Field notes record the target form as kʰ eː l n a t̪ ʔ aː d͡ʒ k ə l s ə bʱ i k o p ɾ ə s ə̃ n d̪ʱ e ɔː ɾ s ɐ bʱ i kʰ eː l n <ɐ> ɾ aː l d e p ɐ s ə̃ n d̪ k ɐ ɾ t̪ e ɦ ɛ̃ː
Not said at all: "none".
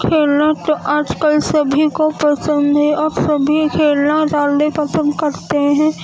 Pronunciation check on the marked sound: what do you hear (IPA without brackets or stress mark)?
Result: a